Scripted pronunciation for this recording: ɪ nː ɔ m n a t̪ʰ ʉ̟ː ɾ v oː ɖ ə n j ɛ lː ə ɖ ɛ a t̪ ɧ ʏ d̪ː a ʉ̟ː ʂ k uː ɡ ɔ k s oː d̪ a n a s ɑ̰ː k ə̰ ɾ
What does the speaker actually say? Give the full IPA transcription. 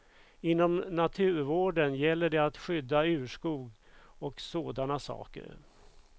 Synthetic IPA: ɪ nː ɔ m n a t̪ʰ ʉ̟ː ɾ v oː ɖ ə n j ɛ lː ə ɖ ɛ a t̪ ɧ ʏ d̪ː a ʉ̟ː ʂ k uː ɡ ɔ k s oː d̪ a n a s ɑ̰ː k ə̰ ɾ